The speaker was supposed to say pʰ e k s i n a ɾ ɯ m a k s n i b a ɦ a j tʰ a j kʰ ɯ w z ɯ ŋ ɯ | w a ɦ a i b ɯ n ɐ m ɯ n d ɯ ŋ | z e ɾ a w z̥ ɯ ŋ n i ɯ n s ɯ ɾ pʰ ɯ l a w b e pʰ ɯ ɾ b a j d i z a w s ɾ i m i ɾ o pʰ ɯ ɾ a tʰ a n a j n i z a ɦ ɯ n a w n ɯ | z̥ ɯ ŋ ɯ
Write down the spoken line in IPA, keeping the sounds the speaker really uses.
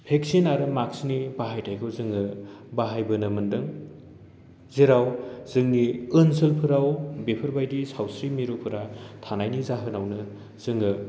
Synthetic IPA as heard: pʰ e k s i n a ɾ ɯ m a k s n i b a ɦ a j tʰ a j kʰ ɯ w z ɯ ŋ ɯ | b a ɦ a j b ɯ n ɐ m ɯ n d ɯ ŋ | z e ɾ a w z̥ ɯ ŋ n i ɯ n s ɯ l pʰ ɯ ɾ a w b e pʰ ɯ ɾ b a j d i s a w s ɾ i m i ɾ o pʰ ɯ ɾ a tʰ a n a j n i z a ɦ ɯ n a w n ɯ | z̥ ɯ ŋ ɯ